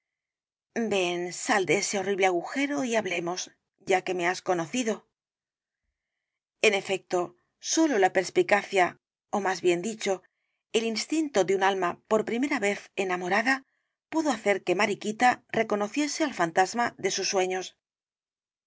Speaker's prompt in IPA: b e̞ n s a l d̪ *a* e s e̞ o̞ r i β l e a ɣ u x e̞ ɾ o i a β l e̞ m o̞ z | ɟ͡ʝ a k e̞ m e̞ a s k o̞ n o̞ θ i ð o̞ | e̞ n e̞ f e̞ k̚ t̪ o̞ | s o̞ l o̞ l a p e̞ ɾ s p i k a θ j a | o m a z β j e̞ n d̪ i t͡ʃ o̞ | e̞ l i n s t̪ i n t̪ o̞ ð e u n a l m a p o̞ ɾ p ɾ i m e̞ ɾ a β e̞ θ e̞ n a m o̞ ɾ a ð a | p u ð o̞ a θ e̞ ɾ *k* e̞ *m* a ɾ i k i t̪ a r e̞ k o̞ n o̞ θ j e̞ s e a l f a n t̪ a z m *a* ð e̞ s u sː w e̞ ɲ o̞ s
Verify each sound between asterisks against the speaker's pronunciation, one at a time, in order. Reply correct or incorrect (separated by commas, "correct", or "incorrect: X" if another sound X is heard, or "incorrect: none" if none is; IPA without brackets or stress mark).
incorrect: e, correct, correct, correct